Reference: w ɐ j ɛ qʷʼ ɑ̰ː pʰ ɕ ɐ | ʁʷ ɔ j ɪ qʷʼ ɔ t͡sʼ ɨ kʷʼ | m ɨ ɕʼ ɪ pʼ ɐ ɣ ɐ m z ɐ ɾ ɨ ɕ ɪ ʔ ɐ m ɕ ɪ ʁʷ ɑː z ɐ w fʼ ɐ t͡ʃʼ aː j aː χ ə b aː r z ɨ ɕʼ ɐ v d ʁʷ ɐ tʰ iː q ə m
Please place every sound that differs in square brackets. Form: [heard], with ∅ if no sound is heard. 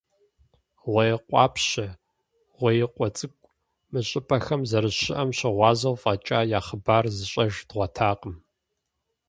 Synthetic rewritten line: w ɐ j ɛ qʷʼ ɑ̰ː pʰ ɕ ɐ | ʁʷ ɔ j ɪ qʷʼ ɔ t͡sʼ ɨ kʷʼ | m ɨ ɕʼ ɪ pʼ ɐ [x] ɐ m z ɐ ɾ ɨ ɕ ɪ ʔ ɐ m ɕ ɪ ʁʷ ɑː z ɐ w fʼ ɐ t͡ʃʼ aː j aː χ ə b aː r z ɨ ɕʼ ɐ [ʒ] d ʁʷ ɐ tʰ [aː] q ə m